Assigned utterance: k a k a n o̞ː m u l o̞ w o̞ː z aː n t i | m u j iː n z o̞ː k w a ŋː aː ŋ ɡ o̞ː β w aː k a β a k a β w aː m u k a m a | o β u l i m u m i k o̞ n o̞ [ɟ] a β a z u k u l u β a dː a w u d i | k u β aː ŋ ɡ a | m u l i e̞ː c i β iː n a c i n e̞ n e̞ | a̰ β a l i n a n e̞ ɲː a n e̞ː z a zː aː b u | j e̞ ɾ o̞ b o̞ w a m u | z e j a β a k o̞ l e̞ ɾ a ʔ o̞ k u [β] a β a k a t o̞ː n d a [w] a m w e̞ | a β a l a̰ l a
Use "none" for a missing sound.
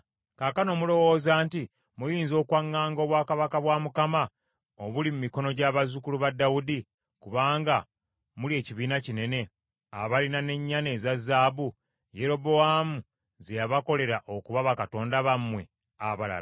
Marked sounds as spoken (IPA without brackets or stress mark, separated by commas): ɟ, β, β